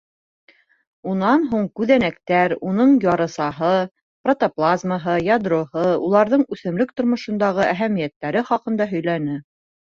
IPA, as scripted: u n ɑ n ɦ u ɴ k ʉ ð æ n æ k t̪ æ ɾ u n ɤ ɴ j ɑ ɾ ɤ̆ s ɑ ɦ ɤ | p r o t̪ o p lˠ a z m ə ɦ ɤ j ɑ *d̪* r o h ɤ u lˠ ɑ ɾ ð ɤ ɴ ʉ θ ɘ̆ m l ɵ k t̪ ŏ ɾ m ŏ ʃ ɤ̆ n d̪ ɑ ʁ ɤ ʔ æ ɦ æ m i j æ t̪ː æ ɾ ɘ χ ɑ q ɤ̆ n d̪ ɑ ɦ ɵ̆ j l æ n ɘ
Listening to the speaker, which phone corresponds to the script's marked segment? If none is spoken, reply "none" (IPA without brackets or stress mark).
d̪